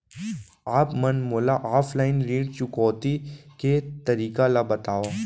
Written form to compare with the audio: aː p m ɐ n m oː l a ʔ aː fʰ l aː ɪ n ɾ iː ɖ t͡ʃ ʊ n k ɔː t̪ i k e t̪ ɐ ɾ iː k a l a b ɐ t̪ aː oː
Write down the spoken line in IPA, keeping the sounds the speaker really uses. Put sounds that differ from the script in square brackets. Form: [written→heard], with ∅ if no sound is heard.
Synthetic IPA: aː p m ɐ n m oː l a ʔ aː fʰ l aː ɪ n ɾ iː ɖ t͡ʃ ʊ [n→∅] k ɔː t̪ i k e t̪ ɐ ɾ iː k a l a b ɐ t̪ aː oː